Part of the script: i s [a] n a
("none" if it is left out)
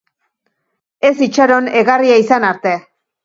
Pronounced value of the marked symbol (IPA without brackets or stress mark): a